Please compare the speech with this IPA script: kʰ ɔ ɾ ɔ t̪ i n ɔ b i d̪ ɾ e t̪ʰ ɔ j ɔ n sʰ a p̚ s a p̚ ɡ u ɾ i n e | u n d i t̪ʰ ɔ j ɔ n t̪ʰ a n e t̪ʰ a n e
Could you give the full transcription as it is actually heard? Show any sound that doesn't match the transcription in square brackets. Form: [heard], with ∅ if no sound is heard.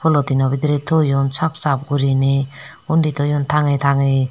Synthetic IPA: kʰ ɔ [l] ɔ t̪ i n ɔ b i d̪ ɾ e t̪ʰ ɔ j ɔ n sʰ a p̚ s a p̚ ɡ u ɾ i n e | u n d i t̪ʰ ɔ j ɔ n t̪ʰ a [ŋ] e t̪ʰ a [ŋ] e